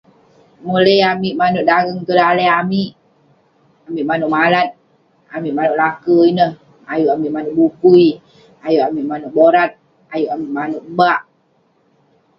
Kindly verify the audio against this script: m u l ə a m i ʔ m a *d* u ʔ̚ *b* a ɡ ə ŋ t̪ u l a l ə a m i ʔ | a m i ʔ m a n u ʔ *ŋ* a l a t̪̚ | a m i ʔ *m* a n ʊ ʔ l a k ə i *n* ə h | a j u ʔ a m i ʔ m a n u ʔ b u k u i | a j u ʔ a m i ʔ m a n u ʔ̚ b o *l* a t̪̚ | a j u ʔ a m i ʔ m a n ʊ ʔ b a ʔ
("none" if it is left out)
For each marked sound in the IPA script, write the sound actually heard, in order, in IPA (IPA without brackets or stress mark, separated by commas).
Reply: n, d, m, m, n, ɾ